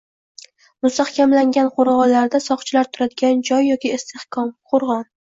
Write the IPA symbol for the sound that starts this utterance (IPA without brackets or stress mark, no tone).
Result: m